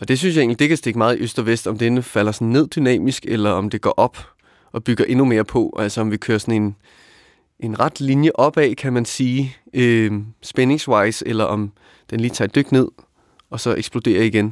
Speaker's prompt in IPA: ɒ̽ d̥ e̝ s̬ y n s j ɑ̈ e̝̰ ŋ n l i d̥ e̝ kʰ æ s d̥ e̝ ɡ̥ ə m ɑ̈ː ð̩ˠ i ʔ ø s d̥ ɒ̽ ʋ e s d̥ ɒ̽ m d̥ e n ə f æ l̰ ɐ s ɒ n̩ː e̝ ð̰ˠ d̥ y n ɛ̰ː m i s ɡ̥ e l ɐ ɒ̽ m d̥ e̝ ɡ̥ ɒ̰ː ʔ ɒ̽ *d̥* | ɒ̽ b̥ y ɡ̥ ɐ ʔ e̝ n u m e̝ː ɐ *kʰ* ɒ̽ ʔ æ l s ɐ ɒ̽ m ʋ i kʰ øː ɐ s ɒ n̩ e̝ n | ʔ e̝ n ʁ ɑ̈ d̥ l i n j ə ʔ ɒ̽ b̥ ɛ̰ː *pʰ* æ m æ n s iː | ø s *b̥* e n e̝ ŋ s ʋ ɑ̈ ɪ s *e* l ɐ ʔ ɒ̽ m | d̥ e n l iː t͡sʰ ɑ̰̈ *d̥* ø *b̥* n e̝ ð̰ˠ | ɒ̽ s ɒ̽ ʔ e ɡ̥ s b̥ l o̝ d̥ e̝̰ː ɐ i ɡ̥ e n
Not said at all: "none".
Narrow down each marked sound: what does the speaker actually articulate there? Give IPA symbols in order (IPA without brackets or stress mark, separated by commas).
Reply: b̥, pʰ, kʰ, b̥, e, d̥, ɡ̥